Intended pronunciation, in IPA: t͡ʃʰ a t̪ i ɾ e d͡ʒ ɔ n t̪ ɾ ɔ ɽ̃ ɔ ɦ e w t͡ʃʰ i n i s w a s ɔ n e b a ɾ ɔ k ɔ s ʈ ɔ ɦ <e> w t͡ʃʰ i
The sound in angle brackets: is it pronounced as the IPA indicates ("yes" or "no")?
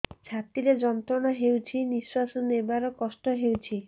yes